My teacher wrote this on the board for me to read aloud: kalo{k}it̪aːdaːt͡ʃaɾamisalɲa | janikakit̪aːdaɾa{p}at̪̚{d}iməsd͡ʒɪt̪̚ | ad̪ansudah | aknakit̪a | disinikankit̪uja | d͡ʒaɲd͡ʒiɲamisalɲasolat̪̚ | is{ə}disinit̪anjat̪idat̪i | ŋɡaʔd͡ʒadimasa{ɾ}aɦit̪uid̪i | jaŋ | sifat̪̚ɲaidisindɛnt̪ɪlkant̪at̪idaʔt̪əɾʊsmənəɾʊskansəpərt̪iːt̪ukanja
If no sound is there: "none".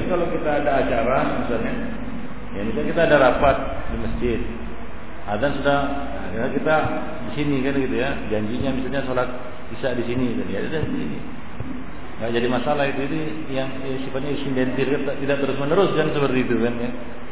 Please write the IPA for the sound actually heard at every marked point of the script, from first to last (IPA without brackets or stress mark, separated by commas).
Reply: k, p, d, a, l